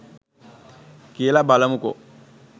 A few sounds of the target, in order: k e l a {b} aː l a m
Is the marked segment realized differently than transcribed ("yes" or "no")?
no